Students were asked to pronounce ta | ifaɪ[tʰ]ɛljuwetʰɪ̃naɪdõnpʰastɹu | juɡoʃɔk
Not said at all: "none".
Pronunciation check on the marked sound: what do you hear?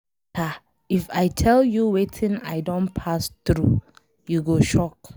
tʰ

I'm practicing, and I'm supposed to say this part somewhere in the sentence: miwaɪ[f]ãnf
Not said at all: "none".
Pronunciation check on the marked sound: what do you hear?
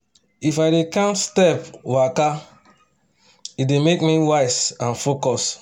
s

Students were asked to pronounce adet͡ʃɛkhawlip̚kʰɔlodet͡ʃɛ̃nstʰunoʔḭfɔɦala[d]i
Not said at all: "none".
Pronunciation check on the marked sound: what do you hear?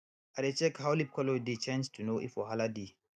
d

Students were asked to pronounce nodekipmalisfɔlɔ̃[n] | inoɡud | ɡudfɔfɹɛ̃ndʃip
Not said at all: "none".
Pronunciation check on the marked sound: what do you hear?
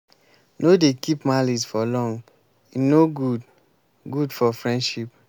ŋ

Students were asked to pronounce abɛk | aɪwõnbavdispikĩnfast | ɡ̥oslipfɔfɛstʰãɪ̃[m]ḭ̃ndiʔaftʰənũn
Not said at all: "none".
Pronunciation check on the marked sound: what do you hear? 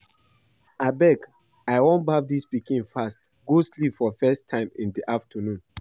m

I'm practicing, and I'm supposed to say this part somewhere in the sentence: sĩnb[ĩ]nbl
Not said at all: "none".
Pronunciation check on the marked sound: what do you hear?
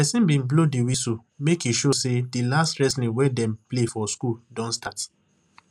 ĩ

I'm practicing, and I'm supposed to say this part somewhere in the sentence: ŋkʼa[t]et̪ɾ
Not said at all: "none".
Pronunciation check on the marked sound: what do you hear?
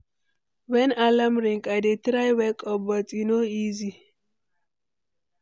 d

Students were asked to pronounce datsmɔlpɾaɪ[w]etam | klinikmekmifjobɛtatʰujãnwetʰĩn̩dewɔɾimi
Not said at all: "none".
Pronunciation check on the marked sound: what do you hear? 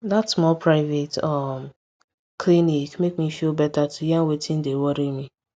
v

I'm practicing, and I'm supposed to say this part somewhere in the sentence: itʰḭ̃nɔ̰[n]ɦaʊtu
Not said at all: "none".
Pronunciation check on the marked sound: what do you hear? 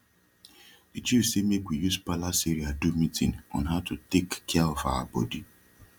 n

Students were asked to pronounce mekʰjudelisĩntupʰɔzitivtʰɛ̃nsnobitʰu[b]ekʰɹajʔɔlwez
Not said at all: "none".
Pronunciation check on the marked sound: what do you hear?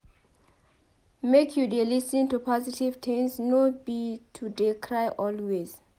d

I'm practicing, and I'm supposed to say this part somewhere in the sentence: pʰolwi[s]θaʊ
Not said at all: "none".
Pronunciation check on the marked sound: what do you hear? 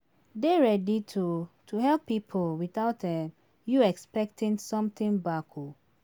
none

